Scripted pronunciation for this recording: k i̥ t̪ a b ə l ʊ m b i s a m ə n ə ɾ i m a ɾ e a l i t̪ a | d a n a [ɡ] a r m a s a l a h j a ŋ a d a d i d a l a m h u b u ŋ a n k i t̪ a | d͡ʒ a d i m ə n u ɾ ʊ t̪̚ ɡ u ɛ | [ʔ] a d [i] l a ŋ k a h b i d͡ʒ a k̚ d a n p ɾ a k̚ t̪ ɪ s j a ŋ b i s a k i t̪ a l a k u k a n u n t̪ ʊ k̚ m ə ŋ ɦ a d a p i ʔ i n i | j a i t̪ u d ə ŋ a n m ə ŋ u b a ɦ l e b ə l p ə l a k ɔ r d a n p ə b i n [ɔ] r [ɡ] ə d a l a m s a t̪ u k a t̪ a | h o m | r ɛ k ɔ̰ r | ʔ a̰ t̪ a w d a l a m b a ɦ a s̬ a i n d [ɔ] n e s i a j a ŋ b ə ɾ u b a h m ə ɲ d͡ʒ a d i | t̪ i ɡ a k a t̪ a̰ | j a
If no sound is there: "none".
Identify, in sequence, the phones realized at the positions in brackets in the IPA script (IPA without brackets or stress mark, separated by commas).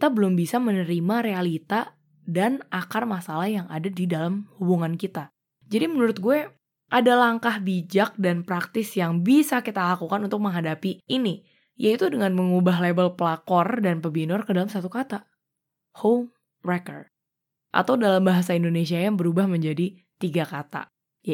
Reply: k, ʔ, a, ɔ, k, o